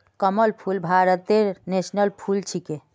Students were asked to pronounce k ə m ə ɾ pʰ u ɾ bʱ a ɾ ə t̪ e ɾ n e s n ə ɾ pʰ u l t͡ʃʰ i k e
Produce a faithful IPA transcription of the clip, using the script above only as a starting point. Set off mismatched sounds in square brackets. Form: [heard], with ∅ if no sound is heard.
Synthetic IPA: k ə m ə [l] pʰ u [l] bʱ a ɾ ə t̪ e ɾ n e s n ə [l] pʰ u l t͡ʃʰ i k e